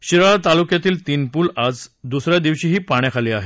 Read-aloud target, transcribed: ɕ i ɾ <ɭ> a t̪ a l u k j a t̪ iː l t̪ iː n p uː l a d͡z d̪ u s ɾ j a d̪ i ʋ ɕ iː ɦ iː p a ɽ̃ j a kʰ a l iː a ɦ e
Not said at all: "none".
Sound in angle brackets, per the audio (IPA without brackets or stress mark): ɭ